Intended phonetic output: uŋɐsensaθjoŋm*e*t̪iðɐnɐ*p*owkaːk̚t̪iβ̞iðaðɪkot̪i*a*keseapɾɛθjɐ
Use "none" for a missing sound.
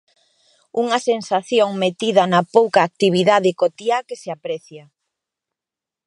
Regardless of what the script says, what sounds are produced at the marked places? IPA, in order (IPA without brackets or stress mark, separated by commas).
e, p, a